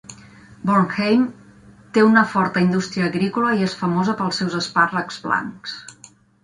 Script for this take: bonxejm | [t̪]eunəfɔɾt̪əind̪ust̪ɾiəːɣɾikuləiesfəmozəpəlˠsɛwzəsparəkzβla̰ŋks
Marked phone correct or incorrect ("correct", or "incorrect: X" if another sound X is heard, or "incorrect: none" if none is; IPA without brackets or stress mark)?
correct